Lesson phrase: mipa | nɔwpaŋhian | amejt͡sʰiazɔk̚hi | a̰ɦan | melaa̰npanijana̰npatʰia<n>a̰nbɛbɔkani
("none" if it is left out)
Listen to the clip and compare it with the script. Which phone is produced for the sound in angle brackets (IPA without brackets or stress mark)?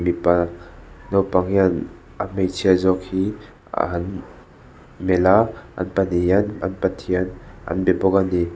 n